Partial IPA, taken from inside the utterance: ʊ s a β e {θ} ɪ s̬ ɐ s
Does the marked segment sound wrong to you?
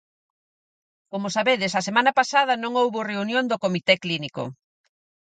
yes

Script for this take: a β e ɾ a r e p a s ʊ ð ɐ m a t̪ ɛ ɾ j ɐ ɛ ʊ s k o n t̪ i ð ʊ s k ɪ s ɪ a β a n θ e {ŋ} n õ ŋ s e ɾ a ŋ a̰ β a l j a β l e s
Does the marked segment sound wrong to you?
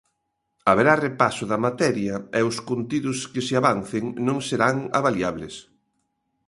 no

